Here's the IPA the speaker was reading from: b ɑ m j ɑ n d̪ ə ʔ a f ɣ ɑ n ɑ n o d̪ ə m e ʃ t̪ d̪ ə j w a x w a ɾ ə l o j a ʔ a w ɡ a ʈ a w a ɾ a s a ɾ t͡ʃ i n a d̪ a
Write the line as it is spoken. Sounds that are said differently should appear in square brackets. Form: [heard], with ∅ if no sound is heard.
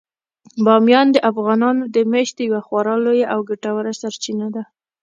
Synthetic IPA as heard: b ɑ m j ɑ n d̪ ə ʔ a f ɣ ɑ n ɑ n o d̪ ə m e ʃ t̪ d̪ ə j w a x w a ɾ [ɑ] l o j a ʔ a w ɡ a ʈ a w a ɾ a s a ɾ t͡ʃ i n a d̪ a